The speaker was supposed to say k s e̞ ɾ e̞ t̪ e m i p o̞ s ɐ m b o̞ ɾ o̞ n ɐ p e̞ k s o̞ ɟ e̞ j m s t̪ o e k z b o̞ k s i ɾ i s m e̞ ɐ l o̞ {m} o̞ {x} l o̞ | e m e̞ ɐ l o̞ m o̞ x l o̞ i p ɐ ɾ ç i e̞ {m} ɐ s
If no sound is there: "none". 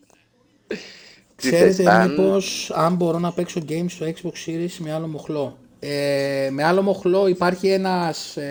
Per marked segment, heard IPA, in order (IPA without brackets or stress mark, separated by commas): m, x, n